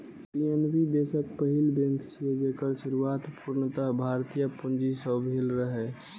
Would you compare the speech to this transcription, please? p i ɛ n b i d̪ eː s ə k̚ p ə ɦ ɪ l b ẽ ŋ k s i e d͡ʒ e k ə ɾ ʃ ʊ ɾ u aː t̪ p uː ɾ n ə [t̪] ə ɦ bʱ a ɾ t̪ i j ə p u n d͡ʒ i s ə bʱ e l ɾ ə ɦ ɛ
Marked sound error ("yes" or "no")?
no